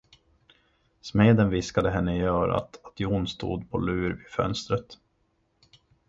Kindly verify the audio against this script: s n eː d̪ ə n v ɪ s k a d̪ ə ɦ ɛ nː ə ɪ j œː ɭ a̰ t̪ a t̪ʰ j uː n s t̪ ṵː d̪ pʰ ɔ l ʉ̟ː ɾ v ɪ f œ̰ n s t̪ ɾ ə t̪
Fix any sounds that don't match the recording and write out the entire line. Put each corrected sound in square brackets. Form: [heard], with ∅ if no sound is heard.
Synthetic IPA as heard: s [m] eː d̪ ə n v ɪ s k a d̪ ə ɦ ɛ nː ə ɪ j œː [ɾ] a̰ t̪ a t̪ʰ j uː n s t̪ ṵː d̪ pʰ ɔ l ʉ̟ː ɾ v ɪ f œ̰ n s t̪ ɾ ə t̪